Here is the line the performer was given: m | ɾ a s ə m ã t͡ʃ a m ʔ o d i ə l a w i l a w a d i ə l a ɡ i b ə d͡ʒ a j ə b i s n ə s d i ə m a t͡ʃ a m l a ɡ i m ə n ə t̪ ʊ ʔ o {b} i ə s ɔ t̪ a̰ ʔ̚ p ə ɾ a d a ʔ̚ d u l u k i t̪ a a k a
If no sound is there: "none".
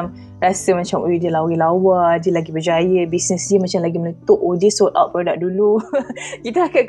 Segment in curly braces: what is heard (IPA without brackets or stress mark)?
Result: d